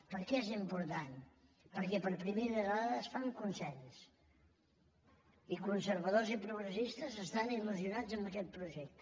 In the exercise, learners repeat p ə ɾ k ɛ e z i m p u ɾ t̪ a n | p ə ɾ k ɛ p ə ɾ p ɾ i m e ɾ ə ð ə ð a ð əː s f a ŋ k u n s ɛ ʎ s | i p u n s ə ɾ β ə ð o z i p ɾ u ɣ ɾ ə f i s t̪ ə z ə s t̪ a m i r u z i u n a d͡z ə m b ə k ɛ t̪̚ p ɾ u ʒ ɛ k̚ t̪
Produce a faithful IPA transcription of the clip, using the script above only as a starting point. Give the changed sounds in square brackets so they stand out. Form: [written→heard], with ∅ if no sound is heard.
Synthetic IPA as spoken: p ə ɾ k ɛ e z i m p u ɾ t̪ a n | p ə ɾ k ɛ p ə ɾ p ɾ i m e ɾ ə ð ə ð a ð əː s f a ŋ k u n s ɛ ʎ s | i [p→k] u n s ə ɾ β ə ð o z i p ɾ u ɣ ɾ ə [f→s] i s t̪ ə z ə s t̪ a [m→n] i [r→l] u z i u n a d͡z ə m b ə k ɛ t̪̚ p ɾ u ʒ ɛ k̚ t̪